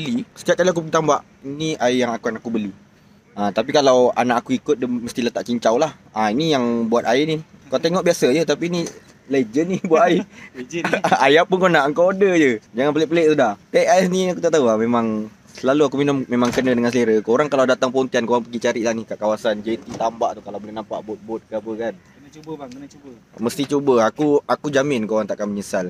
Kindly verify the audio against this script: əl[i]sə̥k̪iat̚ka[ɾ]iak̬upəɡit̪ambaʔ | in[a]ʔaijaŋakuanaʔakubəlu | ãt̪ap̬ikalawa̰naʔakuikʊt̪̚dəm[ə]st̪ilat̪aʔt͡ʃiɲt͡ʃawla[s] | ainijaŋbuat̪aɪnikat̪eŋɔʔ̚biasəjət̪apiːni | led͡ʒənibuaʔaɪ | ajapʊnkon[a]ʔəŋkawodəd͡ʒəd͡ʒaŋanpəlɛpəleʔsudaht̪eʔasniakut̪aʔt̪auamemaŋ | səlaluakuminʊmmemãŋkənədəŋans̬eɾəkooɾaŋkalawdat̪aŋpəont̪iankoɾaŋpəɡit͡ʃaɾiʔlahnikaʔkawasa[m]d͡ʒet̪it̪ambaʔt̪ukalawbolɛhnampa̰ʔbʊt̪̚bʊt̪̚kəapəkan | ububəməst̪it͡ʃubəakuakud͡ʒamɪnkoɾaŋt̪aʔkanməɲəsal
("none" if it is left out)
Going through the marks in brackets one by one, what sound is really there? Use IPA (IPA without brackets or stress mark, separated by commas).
i, l, i, ə, h, a, n